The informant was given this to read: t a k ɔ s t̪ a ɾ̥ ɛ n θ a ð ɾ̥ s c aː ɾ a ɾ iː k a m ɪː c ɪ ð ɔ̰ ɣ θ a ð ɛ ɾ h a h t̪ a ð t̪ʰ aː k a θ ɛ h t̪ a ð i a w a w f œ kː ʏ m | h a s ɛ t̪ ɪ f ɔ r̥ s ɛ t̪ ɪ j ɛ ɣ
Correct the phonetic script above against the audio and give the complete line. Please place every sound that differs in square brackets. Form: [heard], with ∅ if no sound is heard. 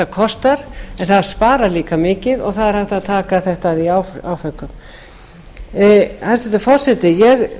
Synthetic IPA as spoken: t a [kʰ] ɔ s t̪ a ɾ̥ ɛ n θ a ð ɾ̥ s [p] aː ɾ a [l] iː k a m ɪː c ɪ ð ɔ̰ ɣ θ a ð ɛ ɾ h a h t̪ a ð t̪ʰ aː k a θ ɛ h t̪ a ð i a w a w f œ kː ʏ m | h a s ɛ t̪ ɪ f ɔ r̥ s ɛ t̪ ɪ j ɛ ɣ